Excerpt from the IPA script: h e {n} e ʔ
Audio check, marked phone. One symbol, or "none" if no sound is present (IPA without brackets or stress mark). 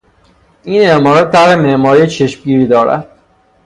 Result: m